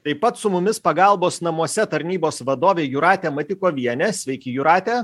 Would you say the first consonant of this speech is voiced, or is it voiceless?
voiceless